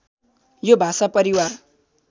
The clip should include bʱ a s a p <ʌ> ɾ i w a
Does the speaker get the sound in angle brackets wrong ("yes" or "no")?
no